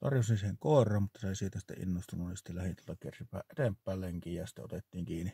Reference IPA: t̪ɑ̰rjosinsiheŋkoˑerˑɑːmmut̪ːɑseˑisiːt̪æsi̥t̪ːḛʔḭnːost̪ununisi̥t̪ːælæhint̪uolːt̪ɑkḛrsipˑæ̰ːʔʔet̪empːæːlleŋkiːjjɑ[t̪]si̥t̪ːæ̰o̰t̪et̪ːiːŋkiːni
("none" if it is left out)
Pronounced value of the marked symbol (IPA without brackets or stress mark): none